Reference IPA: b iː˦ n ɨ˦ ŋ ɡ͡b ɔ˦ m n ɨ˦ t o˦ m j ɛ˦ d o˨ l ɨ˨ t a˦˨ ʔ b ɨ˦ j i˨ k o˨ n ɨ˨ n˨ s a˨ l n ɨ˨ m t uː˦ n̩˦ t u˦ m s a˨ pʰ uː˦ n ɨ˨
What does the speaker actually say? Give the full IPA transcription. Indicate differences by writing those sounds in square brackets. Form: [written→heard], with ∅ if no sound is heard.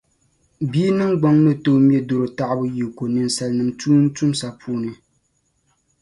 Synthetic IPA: b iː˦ n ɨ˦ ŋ ɡ͡b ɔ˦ [m→ŋ] n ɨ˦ t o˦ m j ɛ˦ d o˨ [l→ɾ] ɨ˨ t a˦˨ ʔ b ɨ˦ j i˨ k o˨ n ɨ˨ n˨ s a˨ l n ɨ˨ m t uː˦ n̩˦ t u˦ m s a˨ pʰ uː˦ n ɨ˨